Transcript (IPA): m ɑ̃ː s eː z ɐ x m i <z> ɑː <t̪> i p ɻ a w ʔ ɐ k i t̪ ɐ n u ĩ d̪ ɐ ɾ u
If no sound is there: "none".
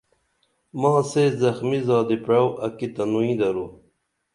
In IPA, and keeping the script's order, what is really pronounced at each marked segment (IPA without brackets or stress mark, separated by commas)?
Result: z, d̪